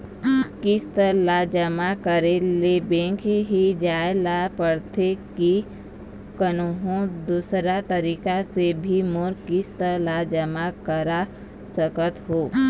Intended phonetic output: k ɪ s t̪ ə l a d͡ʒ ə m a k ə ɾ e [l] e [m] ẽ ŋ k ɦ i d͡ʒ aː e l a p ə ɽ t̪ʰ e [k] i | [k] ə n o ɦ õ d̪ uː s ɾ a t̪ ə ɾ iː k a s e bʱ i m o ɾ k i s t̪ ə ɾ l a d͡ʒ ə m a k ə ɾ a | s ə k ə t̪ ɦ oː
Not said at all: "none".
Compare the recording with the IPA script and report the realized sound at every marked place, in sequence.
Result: l, b, k, k

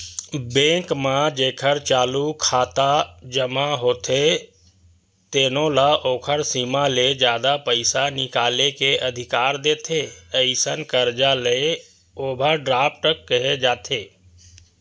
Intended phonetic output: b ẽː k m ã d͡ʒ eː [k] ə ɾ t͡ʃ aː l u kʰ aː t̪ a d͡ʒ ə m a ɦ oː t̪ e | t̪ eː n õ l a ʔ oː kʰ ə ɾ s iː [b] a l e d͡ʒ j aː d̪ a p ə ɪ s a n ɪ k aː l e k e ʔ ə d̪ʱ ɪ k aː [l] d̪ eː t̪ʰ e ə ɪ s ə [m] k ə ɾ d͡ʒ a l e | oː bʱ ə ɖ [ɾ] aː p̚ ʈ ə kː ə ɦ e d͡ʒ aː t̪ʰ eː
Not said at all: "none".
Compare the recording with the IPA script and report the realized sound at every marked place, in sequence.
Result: kʰ, m, ɾ, n, ɾ

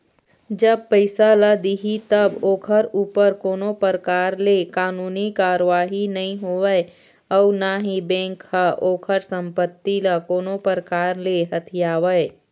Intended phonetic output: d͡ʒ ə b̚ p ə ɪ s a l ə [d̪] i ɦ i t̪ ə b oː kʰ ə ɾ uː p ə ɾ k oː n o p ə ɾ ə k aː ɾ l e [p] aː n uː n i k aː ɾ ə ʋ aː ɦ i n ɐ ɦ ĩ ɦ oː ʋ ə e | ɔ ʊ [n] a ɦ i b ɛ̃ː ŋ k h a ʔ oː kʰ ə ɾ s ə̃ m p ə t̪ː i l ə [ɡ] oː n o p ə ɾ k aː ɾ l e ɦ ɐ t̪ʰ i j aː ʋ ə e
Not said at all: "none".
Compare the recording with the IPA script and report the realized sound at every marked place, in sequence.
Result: d̪, k, n, k

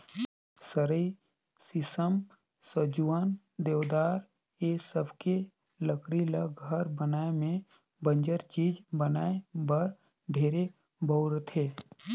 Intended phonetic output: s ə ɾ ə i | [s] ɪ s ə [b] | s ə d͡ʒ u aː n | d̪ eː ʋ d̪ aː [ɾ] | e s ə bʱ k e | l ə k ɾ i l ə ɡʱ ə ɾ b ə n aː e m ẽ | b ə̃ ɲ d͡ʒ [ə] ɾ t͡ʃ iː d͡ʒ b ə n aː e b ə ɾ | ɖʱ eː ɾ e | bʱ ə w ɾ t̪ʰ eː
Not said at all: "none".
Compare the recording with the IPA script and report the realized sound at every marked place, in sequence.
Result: s, m, ɾ, ə

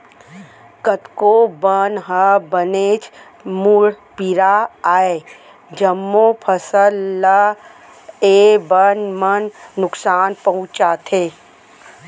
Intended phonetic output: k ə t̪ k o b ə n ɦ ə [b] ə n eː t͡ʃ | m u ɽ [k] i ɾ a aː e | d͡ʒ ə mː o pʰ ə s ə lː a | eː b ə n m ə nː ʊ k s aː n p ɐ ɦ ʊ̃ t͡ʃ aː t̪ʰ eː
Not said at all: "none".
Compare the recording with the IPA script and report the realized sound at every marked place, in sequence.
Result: b, p

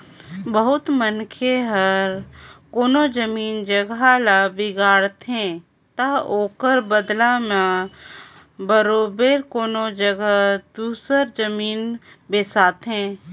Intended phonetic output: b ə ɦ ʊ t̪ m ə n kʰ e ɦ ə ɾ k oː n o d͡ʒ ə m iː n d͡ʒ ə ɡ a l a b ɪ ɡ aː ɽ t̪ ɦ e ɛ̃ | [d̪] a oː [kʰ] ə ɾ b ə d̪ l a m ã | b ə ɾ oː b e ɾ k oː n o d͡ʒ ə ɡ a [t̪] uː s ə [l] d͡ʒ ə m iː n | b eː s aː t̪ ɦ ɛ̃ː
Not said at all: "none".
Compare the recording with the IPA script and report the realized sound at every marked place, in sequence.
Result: t̪, k, d̪, ɾ

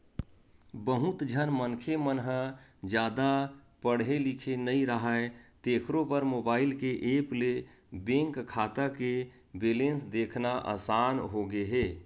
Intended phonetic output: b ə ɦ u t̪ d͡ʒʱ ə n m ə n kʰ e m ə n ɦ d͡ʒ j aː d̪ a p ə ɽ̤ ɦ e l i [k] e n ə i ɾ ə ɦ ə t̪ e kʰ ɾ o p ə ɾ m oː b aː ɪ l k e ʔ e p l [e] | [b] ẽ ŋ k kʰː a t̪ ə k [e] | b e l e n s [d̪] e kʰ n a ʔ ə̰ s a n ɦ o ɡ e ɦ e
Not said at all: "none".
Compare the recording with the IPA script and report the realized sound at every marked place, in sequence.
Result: kʰ, e, b, e, d̪

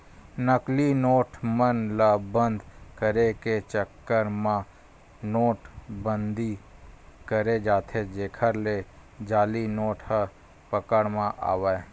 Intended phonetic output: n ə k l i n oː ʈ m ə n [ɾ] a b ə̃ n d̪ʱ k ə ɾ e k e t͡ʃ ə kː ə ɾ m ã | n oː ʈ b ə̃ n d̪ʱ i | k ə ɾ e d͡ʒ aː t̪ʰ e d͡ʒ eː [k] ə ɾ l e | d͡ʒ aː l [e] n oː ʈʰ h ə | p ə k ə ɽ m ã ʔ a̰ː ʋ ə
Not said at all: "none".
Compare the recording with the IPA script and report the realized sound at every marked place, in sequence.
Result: l, kʰ, i

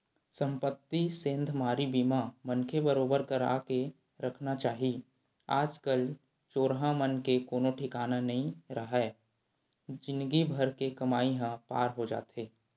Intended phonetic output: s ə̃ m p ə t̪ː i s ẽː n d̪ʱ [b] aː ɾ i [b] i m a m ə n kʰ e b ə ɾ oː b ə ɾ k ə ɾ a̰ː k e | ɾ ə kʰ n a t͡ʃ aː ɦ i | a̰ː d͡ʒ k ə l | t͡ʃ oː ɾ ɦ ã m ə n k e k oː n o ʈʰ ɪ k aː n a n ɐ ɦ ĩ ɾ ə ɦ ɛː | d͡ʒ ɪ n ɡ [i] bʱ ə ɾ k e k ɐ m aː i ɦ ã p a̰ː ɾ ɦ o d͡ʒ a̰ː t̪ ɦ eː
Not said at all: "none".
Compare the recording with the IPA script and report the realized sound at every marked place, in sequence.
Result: m, b, i

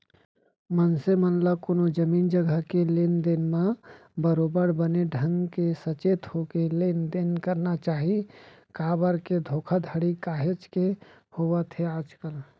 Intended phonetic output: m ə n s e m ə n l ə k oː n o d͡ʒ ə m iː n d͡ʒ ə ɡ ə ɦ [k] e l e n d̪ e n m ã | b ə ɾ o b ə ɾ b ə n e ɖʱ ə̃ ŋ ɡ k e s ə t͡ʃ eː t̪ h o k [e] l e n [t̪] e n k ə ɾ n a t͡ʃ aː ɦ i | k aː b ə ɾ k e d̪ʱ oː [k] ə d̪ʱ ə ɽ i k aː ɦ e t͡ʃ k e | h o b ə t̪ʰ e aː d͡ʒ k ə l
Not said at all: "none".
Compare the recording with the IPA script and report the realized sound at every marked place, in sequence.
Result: k, e, d̪, kʰ

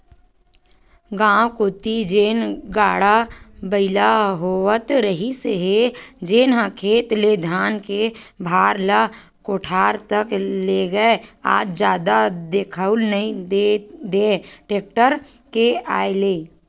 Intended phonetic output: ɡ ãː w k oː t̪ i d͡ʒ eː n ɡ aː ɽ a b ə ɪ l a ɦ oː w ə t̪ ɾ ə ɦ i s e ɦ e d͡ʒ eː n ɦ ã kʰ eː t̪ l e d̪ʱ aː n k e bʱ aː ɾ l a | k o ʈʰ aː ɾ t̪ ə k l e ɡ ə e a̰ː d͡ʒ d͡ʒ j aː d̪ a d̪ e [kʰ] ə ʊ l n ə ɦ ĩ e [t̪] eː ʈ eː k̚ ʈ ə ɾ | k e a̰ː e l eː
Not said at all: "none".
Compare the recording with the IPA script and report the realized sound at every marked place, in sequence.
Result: kʰ, d̪

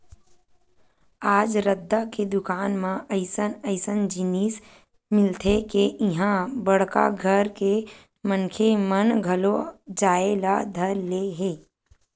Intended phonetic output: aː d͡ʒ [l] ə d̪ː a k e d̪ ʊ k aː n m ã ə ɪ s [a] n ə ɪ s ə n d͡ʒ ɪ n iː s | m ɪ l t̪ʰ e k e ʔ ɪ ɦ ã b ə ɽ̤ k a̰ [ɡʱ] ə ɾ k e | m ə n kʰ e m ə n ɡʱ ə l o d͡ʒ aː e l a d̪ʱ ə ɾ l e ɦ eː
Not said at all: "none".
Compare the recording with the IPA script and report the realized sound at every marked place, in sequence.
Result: ɾ, ə, ɡʱ

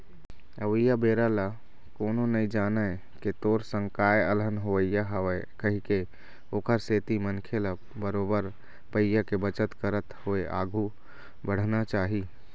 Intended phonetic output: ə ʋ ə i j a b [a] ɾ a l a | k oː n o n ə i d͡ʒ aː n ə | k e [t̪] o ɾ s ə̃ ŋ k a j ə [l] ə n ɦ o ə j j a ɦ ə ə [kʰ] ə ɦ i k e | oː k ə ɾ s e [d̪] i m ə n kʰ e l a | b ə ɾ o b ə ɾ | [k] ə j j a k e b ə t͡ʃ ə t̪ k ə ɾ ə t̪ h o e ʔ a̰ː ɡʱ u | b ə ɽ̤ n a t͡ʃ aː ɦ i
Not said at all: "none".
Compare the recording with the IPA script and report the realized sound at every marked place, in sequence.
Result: e, t̪, l, k, t̪, p

